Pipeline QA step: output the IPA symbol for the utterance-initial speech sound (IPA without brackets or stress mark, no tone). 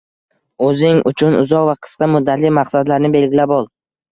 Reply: ɵ